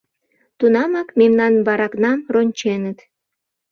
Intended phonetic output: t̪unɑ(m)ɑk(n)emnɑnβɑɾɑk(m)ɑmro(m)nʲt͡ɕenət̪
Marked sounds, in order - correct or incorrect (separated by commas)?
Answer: correct, incorrect, incorrect, incorrect